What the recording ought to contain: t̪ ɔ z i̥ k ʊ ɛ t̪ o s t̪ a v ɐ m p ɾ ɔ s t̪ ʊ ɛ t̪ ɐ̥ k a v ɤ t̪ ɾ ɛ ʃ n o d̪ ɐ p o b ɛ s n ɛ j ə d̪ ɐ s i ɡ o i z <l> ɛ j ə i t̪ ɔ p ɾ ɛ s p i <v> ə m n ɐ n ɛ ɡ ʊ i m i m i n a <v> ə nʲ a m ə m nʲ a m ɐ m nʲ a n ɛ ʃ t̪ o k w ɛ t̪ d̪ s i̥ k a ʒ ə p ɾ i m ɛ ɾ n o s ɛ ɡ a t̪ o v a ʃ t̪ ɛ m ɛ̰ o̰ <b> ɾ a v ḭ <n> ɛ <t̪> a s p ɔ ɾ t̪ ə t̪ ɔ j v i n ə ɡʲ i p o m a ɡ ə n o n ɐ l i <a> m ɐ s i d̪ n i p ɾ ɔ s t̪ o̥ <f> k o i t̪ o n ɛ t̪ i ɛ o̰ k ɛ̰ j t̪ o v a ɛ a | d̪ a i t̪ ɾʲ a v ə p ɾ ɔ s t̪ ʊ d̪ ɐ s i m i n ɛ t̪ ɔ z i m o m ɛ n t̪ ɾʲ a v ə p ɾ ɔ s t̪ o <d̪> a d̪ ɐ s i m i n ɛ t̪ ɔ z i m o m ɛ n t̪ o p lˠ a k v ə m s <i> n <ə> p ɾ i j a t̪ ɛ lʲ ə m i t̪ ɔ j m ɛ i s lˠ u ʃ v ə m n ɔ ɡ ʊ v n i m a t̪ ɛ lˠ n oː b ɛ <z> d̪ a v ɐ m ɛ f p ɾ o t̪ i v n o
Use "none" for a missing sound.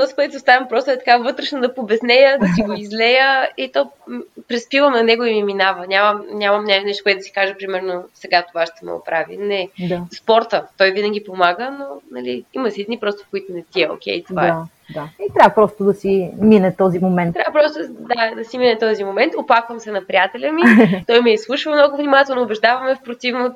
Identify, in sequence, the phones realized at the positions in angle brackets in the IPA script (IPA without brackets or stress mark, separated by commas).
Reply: l, v, v, p, n, d̪, i, f, d̪, ɛ, ɐ, ʒ